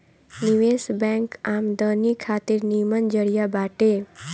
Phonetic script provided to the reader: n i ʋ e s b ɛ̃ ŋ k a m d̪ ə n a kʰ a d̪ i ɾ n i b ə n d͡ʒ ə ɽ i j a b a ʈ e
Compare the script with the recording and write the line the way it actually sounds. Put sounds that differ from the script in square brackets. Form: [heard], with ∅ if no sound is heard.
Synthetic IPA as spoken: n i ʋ e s b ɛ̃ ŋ k a m d̪ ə n [i] kʰ a [t̪] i ɾ n i [m] ə n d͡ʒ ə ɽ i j a b a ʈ e